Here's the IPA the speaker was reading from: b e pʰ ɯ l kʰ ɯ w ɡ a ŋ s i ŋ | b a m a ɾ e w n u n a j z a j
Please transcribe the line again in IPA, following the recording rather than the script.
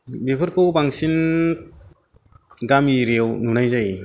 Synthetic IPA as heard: b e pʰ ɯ ɾ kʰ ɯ w b a ŋ s i n | ɡ a m i ɾ e w n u n a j z a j